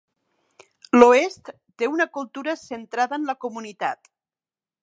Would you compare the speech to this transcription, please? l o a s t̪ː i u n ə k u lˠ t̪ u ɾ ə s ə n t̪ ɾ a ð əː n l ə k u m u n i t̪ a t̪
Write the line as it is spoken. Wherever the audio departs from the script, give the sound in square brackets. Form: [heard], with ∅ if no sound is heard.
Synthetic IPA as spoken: l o [e] s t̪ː [e] u n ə k u lˠ t̪ u ɾ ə s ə n t̪ ɾ a ð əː n l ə k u m u n i t̪ a t̪